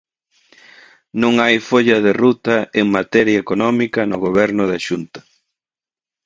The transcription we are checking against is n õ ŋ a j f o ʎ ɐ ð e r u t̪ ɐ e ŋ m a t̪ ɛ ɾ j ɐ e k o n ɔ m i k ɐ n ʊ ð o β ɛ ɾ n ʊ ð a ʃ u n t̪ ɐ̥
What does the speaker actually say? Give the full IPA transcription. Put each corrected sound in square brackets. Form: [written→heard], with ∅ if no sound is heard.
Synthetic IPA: n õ ŋ a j f o ʎ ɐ ð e r u t̪ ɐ e ŋ m a t̪ ɛ ɾ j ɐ e k o n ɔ m i k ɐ n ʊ [ð→ɣ] o β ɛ ɾ n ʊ ð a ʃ u n t̪ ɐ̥